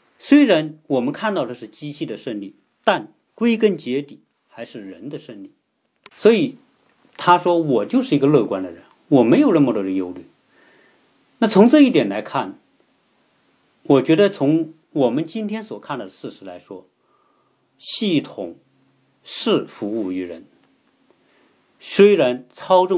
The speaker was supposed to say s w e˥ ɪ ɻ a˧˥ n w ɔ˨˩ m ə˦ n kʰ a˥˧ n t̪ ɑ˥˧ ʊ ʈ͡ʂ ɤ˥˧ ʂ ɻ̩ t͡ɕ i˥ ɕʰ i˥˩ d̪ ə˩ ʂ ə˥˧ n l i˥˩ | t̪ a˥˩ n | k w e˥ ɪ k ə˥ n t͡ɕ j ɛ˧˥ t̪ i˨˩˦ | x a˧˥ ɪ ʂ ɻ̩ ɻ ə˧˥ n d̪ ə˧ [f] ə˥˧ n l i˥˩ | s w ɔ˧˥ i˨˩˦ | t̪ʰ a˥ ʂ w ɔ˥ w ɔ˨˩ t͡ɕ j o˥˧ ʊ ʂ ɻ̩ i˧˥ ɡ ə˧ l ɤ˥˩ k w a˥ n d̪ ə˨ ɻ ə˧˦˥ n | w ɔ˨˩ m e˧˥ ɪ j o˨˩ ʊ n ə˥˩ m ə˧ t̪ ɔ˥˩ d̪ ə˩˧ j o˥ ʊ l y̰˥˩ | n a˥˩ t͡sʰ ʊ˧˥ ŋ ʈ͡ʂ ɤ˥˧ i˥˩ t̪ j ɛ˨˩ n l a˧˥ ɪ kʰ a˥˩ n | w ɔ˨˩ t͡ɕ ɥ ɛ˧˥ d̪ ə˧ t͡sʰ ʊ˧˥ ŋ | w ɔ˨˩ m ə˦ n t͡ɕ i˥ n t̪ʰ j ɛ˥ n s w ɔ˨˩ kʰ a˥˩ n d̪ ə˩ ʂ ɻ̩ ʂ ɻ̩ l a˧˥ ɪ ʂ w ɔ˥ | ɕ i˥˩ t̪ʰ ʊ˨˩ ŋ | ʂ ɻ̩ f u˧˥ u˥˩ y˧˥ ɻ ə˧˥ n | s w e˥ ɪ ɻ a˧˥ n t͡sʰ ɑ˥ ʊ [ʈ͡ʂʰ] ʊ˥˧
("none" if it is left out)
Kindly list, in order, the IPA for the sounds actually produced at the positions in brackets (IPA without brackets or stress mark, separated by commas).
ʂ, ʈ͡ʂ